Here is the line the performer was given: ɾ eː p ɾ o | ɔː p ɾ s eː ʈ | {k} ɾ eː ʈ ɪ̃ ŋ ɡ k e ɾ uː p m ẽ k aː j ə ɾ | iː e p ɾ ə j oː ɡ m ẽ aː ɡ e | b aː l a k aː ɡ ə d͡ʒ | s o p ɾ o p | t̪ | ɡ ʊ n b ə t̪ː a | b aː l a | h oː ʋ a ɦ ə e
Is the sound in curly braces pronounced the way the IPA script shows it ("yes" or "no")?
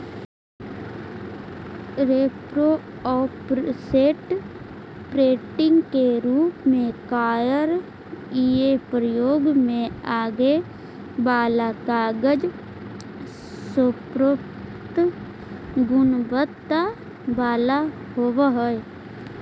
no